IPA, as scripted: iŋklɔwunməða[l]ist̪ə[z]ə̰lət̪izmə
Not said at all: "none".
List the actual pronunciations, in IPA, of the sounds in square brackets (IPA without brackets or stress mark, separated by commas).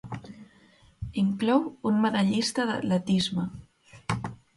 ʎ, ð